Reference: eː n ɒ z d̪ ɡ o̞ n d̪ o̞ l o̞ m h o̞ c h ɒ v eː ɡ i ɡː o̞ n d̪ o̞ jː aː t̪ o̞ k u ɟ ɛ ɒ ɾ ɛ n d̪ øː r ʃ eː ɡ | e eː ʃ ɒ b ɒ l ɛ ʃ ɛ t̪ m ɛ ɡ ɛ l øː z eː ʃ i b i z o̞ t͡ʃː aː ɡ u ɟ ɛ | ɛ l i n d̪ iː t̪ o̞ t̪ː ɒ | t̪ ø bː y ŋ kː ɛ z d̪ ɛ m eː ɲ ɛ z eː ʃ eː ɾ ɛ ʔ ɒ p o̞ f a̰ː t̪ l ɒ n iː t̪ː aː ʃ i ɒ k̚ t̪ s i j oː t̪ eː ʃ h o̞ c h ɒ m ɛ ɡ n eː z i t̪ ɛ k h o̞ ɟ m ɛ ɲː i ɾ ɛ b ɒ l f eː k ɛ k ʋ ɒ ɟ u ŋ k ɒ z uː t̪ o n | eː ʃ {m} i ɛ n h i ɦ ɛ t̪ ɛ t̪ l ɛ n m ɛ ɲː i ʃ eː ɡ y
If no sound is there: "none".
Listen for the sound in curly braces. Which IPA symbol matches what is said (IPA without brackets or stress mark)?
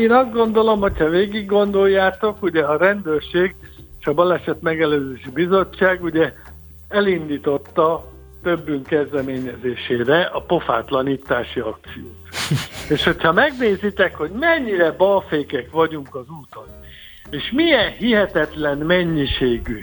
m